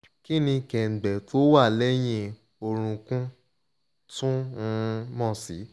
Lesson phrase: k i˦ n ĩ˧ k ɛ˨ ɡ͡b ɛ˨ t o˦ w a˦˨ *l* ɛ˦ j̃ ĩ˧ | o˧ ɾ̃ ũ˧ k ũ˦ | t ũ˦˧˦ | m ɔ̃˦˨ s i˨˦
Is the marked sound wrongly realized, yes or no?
no